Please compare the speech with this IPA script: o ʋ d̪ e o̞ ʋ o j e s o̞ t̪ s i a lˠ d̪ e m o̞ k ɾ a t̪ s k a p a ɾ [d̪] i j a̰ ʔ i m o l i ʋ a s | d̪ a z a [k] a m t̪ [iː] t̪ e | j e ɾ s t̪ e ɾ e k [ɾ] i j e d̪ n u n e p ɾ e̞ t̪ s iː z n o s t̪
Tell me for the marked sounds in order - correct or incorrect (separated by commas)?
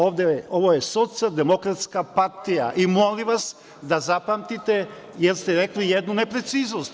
incorrect, incorrect, incorrect, incorrect